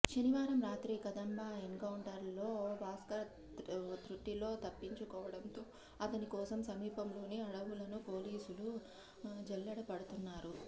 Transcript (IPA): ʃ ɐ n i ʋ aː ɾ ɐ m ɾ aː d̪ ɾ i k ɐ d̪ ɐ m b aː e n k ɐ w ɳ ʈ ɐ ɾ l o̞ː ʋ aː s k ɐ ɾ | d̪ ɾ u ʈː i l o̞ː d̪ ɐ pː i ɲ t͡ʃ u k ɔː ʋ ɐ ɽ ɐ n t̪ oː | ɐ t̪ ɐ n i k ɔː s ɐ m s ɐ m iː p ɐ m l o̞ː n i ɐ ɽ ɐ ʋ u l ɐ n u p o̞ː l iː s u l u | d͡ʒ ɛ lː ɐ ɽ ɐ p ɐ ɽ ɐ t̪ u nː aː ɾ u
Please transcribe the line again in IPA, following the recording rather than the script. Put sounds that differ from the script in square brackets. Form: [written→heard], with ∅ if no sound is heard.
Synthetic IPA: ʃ ɐ n i ʋ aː ɾ ɐ m ɾ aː [d̪→t̪] ɾ i k ɐ d̪ ɐ m b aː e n k ɐ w ɳ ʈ ɐ ɾ l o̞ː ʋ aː s k ɐ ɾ | [d̪→t̪] ɾ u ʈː i l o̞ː [d̪→t̪] ɐ pː i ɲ t͡ʃ u k ɔː ʋ ɐ ɽ ɐ n t̪ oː | ɐ t̪ ɐ n i k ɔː s ɐ m s ɐ m iː p ɐ m l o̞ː n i ɐ ɽ ɐ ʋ u l ɐ n u p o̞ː l iː s u l u | d͡ʒ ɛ lː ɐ ɽ ɐ p ɐ ɽ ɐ t̪ u nː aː ɾ u

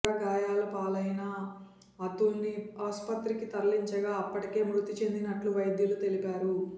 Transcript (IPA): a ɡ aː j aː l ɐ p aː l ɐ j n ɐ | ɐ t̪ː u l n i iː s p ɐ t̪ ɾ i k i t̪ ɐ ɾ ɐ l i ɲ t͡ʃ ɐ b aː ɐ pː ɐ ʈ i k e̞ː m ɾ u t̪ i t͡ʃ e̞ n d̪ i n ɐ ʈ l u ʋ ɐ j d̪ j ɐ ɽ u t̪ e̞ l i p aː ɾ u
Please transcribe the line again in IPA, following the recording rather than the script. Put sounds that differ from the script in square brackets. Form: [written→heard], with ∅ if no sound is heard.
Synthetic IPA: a ɡ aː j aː l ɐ p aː l ɐ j n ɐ | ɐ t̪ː u l n i [iː→aː] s p ɐ t̪ ɾ i k i t̪ ɐ ɾ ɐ l i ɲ t͡ʃ ɐ [b→ɡ] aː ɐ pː ɐ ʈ i k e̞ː m ɾ u t̪ i t͡ʃ e̞ n d̪ i n ɐ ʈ l u ʋ ɐ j d̪ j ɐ [ɽ→l] u t̪ e̞ l i p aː ɾ u

